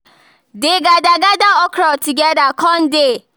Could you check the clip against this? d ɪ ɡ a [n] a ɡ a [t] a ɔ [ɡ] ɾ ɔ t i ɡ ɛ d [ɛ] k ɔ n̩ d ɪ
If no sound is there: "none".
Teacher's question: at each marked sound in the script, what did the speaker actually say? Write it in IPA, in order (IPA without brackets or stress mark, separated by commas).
d, d, k, a